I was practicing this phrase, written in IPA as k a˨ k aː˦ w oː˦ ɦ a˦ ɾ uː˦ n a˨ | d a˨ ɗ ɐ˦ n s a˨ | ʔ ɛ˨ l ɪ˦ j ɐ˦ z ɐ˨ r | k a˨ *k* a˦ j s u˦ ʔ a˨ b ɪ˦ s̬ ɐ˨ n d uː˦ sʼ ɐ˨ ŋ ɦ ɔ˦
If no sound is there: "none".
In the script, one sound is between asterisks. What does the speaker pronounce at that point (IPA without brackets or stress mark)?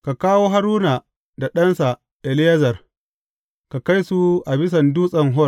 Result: k